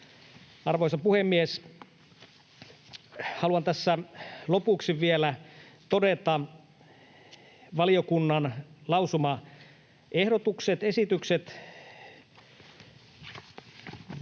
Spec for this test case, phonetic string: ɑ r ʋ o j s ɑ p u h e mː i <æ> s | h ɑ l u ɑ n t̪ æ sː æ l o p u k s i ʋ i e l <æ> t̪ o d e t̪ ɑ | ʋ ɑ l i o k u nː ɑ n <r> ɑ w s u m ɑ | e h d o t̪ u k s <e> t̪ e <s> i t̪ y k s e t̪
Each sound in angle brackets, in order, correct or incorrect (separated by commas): incorrect, correct, incorrect, correct, correct